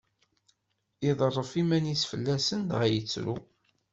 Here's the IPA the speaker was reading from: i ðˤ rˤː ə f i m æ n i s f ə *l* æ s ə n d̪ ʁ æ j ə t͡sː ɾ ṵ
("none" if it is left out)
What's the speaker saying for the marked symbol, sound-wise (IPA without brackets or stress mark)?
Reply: lː